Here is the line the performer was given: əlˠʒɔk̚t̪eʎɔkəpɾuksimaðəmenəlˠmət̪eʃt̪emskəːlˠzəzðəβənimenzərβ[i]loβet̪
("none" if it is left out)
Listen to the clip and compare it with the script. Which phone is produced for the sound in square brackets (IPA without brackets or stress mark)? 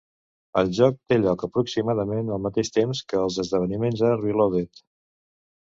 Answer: i